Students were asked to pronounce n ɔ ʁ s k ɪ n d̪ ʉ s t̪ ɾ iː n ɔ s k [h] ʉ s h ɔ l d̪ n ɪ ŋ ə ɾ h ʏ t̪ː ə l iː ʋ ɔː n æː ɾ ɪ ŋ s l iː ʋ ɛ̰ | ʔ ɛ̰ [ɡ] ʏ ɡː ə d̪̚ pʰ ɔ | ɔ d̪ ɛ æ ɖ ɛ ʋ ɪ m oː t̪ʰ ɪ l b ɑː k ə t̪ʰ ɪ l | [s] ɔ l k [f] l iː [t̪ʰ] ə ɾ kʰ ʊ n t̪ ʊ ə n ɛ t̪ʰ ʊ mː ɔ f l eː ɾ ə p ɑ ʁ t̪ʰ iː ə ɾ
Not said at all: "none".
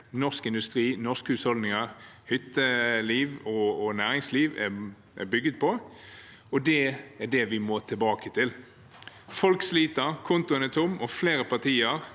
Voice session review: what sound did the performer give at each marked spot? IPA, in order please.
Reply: h, b, f, s, t̪

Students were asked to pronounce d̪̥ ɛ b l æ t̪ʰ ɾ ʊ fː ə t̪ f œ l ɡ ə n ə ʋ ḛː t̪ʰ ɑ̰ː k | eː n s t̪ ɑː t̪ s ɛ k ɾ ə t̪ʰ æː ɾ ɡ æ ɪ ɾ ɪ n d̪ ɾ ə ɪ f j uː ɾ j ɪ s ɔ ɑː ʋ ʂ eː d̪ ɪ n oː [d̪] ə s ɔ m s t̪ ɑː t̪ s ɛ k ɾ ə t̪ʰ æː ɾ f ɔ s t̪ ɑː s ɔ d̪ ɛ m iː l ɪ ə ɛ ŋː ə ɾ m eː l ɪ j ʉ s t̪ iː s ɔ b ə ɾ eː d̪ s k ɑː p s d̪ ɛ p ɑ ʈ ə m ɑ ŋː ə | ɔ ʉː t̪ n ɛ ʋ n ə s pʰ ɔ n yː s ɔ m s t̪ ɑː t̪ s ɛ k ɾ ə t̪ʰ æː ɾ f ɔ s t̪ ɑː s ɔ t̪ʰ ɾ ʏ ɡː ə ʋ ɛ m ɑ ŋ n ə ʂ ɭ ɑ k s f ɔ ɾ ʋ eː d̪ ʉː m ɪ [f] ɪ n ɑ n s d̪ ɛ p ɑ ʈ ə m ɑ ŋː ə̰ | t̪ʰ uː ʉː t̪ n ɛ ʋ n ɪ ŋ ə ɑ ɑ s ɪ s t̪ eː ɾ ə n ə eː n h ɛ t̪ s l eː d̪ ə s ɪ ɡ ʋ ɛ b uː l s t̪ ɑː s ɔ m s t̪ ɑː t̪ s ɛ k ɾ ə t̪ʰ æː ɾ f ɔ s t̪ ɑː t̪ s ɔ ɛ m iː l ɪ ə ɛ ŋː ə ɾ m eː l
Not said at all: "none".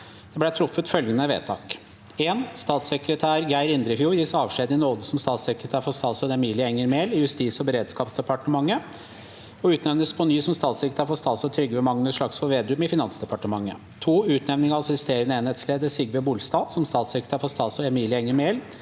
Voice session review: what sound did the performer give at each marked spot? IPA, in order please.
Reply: d̪, f

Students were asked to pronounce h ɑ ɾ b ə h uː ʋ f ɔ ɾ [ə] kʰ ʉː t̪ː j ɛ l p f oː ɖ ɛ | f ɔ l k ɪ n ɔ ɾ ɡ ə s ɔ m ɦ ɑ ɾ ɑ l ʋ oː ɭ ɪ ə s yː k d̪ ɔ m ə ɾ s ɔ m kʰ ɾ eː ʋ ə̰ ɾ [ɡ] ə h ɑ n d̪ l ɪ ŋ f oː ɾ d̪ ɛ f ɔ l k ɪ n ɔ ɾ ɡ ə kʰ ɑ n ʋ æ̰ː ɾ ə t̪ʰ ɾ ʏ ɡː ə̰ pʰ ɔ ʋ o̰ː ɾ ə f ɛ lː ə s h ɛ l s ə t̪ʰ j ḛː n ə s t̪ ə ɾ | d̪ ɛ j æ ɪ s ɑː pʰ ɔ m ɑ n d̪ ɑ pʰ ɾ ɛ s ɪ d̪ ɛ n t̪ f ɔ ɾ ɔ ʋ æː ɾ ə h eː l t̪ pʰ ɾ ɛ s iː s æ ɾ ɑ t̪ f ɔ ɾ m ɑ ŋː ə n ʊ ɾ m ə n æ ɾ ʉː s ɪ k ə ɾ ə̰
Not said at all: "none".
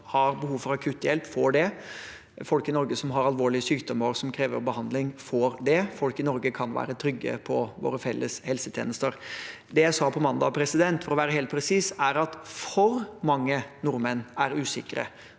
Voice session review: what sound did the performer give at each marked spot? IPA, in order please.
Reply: ɑ, b

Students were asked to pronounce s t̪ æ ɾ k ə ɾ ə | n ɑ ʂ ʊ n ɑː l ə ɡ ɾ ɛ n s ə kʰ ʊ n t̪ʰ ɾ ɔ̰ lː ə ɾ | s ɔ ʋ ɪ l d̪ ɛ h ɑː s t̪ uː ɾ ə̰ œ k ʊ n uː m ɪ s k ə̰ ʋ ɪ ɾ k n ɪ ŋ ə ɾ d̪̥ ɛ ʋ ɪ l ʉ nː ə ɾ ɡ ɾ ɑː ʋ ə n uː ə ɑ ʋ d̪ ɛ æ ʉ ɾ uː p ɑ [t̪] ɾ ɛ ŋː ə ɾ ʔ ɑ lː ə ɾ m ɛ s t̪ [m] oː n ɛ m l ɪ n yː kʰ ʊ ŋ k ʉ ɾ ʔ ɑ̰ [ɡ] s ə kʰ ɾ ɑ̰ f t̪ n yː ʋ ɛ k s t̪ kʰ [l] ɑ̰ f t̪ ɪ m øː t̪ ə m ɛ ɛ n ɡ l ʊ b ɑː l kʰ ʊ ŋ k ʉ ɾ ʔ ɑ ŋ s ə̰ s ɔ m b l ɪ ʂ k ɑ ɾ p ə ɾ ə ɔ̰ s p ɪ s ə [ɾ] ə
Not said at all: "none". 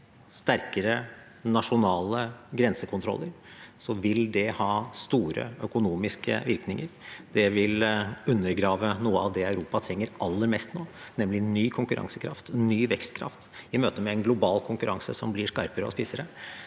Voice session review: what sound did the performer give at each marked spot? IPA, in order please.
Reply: t̪ʰ, n, ŋ, ɾ, ɾ

